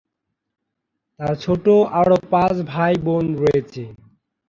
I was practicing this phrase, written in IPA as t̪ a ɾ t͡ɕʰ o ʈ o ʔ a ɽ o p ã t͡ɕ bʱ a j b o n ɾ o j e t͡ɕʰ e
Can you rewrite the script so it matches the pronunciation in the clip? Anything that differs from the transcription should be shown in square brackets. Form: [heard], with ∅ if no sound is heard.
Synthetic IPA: t̪ a ɾ t͡ɕʰ o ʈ o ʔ a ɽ o p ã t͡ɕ bʱ a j b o n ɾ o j e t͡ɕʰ e

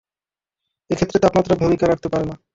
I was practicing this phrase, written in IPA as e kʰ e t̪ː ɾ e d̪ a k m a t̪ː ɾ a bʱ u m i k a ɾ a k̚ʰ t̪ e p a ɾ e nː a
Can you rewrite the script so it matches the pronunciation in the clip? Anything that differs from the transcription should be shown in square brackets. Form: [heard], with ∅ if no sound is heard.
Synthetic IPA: e kʰ e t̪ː ɾ e [t̪] a [p] m a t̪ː ɾ a bʱ u m i k a ɾ a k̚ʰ t̪ e p a ɾ e [n] a

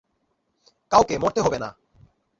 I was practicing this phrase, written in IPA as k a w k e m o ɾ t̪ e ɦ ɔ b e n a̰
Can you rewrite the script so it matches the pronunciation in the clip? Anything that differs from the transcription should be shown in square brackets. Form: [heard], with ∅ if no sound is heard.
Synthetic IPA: k a w k e m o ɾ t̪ e ɦ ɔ b e n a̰

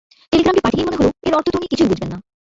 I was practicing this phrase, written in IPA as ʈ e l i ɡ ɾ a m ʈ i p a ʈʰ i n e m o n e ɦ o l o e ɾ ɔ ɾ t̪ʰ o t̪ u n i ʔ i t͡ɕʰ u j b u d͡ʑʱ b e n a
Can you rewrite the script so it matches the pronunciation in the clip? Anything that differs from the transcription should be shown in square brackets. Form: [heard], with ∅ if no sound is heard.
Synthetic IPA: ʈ e l i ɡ ɾ a m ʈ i p a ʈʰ i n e m o n e ɦ o l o e ɾ ɔ ɾ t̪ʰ o t̪ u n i [k] i t͡ɕʰ u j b u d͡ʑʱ b e [nː] a

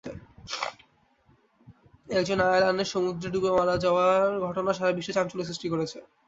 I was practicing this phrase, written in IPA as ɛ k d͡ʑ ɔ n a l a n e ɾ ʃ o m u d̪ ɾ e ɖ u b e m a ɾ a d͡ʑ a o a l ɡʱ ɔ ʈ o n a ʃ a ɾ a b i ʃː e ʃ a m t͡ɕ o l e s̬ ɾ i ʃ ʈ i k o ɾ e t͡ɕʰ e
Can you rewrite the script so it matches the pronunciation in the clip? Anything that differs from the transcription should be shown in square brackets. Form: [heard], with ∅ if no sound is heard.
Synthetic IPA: ɛ k d͡ʑ [o] n a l a n e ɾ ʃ o m u d̪ ɾ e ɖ u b e m a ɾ a d͡ʑ a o a [ɾ] ɡʱ ɔ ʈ o n a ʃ a ɾ a b i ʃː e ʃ a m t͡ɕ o l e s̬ ɾ i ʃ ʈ i k o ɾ e t͡ɕʰ e

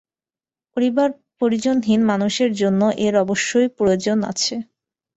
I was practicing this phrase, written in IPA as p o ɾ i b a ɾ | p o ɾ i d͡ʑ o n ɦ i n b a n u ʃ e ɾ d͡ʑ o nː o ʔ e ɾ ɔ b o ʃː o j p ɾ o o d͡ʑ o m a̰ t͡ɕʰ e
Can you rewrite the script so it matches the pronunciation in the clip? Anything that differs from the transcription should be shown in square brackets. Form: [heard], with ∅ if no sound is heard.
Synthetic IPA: p o ɾ i b a ɾ | p o ɾ i d͡ʑ o n ɦ i n [m] a n u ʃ e ɾ d͡ʑ o nː o ʔ e ɾ ɔ b o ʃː o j p ɾ o o d͡ʑ o [n] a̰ t͡ɕʰ e

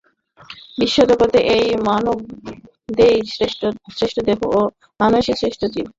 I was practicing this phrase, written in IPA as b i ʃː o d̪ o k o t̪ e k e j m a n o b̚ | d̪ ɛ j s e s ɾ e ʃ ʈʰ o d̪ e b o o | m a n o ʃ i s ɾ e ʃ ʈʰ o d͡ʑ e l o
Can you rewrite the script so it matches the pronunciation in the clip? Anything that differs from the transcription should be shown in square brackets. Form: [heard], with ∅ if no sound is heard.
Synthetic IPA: b i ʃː o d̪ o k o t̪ e [ʔ] e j m a n o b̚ | d̪ [e] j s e s ɾ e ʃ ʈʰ o d̪ e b o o | m a n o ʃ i s ɾ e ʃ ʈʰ o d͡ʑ [i] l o

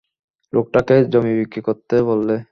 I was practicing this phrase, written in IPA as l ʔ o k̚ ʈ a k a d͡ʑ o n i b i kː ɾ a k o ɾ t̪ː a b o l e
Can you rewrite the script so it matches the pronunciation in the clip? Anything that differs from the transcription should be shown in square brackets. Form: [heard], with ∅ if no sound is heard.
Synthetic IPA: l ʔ o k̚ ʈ a k [e] d͡ʑ o [m] i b i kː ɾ [i] k o ɾ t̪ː [e] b o [lː] e

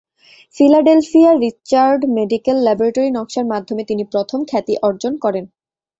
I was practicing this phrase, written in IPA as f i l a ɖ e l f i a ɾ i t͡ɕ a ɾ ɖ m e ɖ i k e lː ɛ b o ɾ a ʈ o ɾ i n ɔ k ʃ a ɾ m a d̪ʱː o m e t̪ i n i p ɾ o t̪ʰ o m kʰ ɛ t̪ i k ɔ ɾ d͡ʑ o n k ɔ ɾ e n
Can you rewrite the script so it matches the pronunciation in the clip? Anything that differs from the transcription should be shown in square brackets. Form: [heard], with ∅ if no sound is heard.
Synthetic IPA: f i l a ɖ e l f i a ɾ i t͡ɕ a ɾ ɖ m e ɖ i k e lː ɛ b o ɾ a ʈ o ɾ i n ɔ k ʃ a ɾ m a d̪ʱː o m e t̪ i n i p ɾ o t̪ʰ o m kʰ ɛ t̪ i [ʔ] ɔ ɾ d͡ʑ o n k ɔ ɾ e n

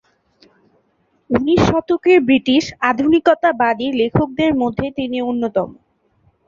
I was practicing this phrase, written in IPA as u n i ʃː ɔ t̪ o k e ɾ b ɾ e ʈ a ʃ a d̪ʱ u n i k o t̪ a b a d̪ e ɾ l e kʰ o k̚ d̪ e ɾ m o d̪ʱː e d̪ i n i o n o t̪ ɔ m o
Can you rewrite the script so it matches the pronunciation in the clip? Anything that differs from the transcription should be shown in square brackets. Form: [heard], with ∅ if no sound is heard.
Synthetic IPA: u n i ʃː ɔ t̪ o k e ɾ b ɾ [i] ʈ [i] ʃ a d̪ʱ u n i k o t̪ a b a d̪ [i] ɾ l e kʰ o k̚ d̪ e ɾ m o d̪ʱː e [t̪] i n i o [nː] o t̪ ɔ m o

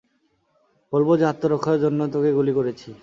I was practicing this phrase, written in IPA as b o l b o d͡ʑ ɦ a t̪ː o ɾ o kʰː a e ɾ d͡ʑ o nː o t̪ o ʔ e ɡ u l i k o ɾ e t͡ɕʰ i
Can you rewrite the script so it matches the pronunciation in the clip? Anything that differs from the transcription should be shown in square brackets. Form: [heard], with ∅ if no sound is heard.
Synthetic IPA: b o l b o d͡ʑ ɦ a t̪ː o ɾ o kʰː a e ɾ d͡ʑ o nː o t̪ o [k] e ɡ u l i k o ɾ e t͡ɕʰ i

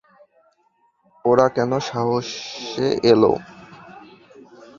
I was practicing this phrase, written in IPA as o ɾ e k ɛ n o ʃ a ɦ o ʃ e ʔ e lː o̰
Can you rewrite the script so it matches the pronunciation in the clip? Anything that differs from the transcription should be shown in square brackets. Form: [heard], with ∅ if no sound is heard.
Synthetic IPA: o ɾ [a] k ɛ n o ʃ a ɦ o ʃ e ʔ e [l] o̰

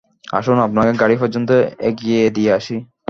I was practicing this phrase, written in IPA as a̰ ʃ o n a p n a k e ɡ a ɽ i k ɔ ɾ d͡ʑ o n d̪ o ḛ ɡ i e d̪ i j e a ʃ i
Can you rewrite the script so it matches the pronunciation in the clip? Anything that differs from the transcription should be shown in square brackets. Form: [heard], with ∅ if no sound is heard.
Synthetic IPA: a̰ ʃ o n a p n a k e ɡ a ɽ i [p] ɔ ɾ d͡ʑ o n [t̪] o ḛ ɡ i e d̪ i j e a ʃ i

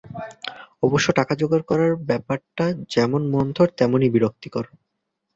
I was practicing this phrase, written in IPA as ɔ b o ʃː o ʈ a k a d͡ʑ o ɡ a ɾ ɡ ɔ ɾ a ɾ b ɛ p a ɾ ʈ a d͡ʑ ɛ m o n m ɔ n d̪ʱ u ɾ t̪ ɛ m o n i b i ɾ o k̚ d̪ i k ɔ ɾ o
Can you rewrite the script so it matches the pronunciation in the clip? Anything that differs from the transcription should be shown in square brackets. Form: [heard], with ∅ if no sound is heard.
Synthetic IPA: ɔ b o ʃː o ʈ a k a d͡ʑ o ɡ a ɾ [k] ɔ ɾ a ɾ b ɛ p a ɾ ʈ a d͡ʑ ɛ m o n m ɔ n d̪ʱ [o] ɾ t̪ ɛ m o n i b i ɾ o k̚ [t̪] i k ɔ ɾ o

